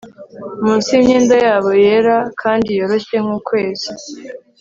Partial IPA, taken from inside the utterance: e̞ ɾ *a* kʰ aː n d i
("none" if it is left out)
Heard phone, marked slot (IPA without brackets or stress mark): a